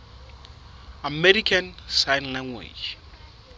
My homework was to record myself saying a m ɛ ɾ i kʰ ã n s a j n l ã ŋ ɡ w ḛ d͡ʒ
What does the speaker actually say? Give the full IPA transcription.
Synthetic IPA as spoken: a m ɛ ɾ i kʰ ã n s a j n l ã ŋ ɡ w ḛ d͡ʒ